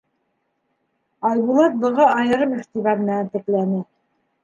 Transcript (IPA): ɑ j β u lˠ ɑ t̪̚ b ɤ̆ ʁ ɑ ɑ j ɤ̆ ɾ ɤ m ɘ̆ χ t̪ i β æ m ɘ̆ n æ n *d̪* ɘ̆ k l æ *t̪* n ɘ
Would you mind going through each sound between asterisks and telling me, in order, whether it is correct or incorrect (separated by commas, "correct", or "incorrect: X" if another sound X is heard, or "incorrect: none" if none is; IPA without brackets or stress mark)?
incorrect: t̪, incorrect: none